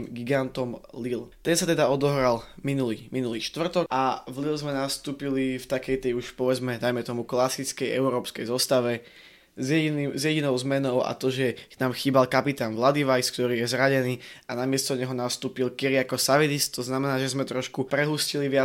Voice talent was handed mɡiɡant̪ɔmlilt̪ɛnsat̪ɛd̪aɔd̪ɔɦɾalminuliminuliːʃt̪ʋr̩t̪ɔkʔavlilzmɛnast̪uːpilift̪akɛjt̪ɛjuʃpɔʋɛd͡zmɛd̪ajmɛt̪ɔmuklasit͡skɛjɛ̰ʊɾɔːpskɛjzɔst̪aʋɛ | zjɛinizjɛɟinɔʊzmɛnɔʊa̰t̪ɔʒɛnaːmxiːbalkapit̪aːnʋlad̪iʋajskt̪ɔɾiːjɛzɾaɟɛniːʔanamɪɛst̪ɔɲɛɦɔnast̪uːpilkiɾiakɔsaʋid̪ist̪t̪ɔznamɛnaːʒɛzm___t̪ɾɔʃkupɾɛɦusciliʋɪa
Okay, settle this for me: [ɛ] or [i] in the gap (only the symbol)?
ɛ